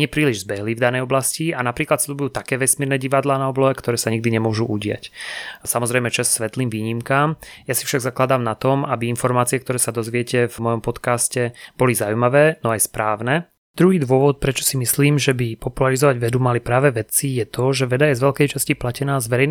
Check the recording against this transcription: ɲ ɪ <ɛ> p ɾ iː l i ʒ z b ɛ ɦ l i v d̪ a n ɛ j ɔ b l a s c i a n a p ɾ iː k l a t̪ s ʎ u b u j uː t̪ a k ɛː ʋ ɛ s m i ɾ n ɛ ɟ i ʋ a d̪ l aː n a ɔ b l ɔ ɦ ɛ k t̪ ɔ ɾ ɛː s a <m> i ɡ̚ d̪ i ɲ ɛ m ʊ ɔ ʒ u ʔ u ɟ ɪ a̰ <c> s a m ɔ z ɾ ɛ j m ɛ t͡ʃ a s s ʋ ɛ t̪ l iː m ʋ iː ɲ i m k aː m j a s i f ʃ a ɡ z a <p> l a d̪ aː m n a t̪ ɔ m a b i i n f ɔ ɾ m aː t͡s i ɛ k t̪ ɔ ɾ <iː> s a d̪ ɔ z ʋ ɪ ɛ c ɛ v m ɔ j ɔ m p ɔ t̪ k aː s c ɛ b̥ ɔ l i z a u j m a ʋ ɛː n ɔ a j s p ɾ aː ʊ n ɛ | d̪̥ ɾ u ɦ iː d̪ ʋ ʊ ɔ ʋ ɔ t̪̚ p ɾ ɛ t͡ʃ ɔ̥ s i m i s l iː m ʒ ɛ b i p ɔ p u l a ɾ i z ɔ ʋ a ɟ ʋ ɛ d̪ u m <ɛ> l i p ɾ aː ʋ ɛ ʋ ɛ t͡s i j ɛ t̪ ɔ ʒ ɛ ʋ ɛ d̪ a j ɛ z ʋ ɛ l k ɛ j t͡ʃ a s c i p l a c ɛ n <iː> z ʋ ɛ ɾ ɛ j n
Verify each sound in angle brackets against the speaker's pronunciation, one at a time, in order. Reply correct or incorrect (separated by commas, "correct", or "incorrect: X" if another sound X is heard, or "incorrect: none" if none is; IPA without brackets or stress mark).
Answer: correct, incorrect: ɲ, correct, incorrect: k, incorrect: ɛː, incorrect: a, incorrect: aː